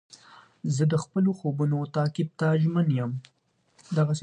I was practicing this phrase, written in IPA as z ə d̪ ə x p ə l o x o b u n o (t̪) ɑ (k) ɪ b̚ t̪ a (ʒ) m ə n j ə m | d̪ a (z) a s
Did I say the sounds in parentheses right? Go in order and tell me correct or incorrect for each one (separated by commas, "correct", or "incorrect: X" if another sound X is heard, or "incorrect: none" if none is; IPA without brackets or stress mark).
correct, correct, correct, incorrect: ɣ